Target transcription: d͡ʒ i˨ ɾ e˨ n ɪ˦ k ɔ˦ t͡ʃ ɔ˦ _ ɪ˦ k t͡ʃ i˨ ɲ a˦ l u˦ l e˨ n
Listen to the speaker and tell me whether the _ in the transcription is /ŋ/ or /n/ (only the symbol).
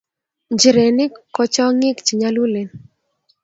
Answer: ŋ